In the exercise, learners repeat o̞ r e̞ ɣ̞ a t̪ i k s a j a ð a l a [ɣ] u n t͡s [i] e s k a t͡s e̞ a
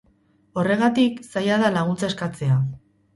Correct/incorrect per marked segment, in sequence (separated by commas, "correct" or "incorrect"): correct, incorrect